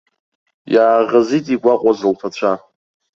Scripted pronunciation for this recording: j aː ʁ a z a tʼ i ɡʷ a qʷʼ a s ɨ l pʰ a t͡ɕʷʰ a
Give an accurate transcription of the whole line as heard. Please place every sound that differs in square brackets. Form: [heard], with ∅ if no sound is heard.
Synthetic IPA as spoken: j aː ʁ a z [i] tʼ i ɡʷ a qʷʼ a [z] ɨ l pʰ a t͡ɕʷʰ a